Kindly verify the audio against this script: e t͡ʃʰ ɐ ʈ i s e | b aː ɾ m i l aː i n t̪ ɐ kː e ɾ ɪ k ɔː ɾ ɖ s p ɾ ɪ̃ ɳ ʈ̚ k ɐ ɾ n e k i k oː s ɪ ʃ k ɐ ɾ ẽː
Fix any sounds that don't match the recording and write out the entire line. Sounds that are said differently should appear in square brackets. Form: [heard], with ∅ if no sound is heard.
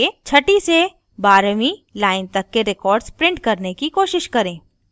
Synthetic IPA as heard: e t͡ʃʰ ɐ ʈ i s e | b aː ɾ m i l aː [ɪ] n t̪ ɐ kː e ɾ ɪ k ɔː ɾ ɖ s p ɾ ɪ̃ ɳ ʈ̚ k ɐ ɾ n e k i k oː [ʃ] ɪ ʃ k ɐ ɾ ẽː

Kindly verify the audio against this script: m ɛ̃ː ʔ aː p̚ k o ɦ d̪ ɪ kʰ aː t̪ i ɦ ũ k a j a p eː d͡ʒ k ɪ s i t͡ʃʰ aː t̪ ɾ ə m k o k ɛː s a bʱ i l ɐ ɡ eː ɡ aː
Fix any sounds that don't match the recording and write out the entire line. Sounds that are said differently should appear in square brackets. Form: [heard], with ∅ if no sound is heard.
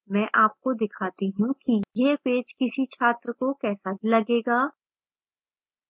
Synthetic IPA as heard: m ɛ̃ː ʔ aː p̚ k o [∅] d̪ ɪ kʰ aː t̪ i ɦ ũ k [i] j [e] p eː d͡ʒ k ɪ s i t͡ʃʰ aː t̪ ɾ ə [∅] k o k ɛː s a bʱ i l ɐ ɡ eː ɡ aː

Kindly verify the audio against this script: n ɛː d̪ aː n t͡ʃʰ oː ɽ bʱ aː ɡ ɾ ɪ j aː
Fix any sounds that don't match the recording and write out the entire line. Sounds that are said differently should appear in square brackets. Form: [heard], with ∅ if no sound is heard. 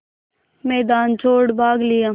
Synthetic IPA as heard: [m] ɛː d̪ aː n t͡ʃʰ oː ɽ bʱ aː ɡ [l] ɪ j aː

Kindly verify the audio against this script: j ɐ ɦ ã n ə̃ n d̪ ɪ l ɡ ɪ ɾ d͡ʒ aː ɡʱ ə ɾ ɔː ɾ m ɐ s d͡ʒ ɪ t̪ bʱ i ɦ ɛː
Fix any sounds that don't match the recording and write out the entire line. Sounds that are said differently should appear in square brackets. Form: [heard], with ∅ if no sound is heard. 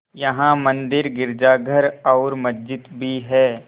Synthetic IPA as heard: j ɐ ɦ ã [m] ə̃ n d̪ ɪ [ɾ] ɡ ɪ ɾ d͡ʒ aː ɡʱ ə ɾ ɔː ɾ m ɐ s d͡ʒ ɪ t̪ bʱ i ɦ ɛː

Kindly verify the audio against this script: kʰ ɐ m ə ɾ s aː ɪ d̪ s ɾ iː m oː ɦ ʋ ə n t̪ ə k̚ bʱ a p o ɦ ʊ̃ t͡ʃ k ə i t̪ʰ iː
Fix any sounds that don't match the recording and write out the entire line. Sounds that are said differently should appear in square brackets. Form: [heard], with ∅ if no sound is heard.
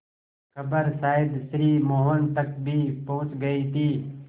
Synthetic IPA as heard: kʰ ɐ [b] ə ɾ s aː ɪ d̪ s ɾ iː m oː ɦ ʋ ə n t̪ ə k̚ bʱ [i] p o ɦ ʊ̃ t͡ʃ [ɡ] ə i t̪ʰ iː

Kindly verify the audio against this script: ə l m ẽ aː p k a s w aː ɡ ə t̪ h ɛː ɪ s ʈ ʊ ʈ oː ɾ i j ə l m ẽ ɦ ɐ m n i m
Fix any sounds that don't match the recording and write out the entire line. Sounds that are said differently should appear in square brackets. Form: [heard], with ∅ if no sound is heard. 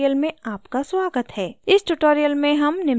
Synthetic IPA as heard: ə l m ẽ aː p k a s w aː ɡ ə t̪ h ɛː ɪ s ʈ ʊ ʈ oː ɾ i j ə l m ẽ ɦ ɐ m n [ɪ] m

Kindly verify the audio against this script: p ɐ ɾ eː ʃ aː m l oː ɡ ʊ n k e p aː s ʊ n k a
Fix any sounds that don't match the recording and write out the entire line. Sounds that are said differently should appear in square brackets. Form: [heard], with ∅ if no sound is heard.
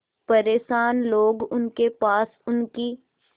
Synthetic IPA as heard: p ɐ ɾ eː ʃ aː [n] l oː ɡ ʊ n k e p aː s ʊ n k [i]

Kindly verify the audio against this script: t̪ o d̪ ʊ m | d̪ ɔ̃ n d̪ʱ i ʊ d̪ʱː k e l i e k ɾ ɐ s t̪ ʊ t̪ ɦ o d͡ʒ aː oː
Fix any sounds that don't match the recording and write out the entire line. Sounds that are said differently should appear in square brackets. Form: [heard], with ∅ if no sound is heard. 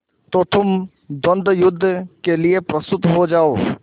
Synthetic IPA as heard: t̪ o [t̪] ʊ m | d̪ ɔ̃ n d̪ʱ [j] ʊ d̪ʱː k e l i e [p] ɾ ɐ s t̪ ʊ t̪ ɦ o d͡ʒ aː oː

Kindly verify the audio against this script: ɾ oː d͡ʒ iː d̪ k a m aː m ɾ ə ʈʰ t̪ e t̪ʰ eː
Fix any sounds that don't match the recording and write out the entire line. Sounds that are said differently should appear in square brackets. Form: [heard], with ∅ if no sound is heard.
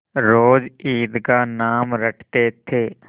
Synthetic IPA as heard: ɾ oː d͡ʒ iː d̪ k a [n] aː m ɾ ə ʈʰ t̪ e t̪ʰ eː

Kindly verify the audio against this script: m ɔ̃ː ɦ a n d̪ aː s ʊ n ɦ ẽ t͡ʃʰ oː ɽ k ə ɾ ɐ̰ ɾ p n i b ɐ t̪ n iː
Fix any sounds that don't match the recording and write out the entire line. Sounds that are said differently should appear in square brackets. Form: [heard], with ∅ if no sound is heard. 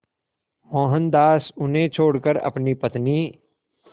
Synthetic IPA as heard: m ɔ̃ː ɦ [ə] n d̪ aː s ʊ n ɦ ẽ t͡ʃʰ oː ɽ k ə ɾ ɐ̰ [∅] p n i [p] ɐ t̪ n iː

